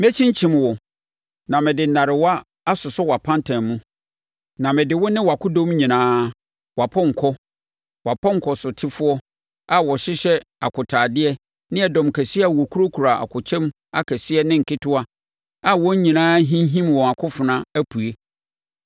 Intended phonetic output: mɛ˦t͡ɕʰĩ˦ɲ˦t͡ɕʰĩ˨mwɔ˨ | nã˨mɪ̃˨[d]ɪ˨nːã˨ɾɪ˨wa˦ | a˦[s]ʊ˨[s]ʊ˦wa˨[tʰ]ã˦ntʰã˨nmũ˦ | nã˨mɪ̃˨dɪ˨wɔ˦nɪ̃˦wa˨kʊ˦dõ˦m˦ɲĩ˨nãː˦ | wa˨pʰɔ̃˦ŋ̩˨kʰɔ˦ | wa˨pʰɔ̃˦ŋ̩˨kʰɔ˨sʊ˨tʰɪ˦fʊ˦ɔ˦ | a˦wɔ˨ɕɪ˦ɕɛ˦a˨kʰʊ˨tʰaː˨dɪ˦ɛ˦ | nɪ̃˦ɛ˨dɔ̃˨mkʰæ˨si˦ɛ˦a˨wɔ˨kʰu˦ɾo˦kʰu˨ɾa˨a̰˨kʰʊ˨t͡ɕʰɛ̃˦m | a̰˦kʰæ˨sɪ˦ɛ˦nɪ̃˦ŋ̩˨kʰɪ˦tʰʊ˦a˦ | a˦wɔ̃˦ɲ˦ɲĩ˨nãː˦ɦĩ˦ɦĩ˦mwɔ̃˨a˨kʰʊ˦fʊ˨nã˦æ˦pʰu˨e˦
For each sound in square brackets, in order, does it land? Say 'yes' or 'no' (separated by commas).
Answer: yes, yes, yes, no